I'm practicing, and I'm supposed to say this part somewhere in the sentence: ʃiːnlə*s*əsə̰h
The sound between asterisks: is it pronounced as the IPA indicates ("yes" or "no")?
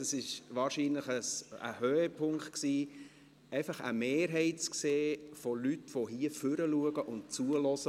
no